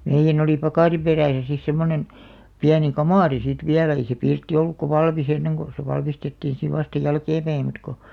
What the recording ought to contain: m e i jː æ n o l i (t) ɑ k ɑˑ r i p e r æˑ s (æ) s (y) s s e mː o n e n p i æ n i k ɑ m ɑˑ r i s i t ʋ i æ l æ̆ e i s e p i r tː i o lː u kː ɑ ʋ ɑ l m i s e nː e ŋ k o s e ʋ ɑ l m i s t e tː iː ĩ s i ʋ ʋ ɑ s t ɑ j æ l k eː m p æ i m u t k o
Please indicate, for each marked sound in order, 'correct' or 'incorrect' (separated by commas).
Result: incorrect, correct, incorrect